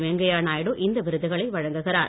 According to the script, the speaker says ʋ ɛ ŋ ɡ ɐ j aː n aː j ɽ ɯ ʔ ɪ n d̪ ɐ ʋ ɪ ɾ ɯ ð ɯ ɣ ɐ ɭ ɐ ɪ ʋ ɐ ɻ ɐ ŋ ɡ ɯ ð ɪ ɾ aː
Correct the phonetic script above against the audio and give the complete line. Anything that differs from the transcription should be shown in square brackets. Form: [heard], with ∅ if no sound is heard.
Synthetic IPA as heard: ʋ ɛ ŋ ɡ ɐ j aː n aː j ɽ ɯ ʔ ɪ n d̪ ɐ ʋ ɪ ɾ ɯ ð ɯ ɣ ɐ ɭ ɐ ɪ ʋ ɐ ɻ ɐ ŋ ɡ ɯ [ɣ] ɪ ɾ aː